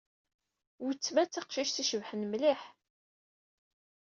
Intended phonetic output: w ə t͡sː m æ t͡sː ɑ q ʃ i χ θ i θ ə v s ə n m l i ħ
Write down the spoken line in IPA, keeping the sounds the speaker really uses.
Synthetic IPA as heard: w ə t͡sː m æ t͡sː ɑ q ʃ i ʃ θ i ʃ ə v ħ ə n m l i ħ